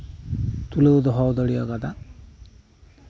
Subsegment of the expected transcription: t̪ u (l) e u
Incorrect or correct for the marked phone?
correct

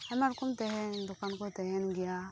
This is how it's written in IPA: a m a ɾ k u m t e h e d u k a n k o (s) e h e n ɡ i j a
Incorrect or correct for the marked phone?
incorrect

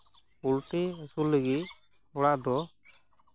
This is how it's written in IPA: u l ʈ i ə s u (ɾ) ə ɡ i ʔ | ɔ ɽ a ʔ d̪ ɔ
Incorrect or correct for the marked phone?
incorrect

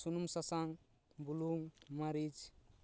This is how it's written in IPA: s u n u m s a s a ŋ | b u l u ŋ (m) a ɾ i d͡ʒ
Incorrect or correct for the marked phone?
correct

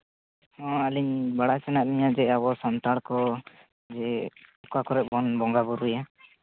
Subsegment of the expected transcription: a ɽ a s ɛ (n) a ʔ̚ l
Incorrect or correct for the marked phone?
correct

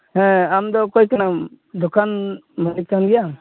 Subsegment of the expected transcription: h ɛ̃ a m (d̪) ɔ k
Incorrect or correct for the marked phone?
correct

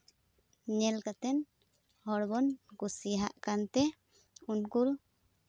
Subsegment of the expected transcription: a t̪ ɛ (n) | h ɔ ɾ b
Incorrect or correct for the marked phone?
correct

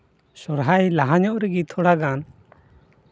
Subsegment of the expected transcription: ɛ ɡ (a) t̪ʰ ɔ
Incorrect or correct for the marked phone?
incorrect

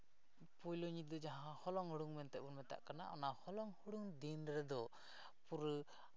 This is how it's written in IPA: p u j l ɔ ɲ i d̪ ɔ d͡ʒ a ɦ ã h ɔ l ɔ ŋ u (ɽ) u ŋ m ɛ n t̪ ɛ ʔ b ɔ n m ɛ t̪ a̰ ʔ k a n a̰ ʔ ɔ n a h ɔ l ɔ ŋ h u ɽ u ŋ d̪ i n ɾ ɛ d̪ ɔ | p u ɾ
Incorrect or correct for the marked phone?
correct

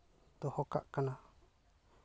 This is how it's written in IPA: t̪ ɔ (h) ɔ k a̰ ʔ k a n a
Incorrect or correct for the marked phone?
correct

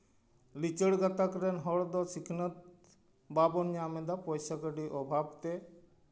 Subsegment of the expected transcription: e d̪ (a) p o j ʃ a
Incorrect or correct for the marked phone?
correct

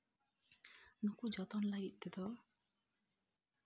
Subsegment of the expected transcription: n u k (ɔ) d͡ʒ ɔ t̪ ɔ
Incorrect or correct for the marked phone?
incorrect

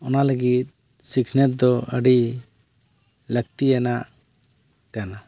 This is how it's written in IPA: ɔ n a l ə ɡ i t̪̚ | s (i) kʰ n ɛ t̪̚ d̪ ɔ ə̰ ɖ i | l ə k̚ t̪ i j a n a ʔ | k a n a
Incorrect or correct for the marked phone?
correct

